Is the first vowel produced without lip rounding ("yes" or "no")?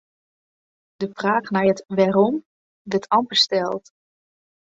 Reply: yes